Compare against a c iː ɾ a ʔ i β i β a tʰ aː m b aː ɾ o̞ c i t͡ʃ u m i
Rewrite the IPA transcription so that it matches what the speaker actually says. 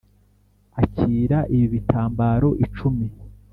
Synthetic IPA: a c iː ɾ a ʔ i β i β i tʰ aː m b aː ɾ o̞ ʔ i t͡ʃ u m i